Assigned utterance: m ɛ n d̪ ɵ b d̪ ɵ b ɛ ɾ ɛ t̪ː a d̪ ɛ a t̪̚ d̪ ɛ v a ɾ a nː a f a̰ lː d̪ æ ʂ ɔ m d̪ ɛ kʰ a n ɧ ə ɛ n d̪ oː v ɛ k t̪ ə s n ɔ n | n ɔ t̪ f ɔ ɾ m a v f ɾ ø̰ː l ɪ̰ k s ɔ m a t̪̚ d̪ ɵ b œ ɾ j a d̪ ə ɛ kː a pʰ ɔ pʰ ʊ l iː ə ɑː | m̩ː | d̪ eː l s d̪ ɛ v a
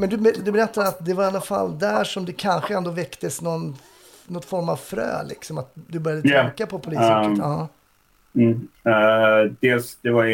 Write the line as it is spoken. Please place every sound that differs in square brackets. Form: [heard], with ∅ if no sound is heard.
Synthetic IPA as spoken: m ɛ n d̪ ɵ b d̪ ɵ b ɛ ɾ ɛ t̪ː a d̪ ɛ a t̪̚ d̪ ɛ v a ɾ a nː a f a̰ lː d̪ æ ʂ ɔ m d̪ ɛ kʰ a n ɧ ə ɛ n d̪ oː v ɛ k t̪ ə s n ɔ n | n ɔ t̪ f ɔ ɾ m a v f ɾ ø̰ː l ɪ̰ k s ɔ m a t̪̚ d̪ ɵ b œ ɾ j a d̪ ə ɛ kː a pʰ ɔ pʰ ʊ l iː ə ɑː | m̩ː | d̪ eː l s d̪ ɛ v a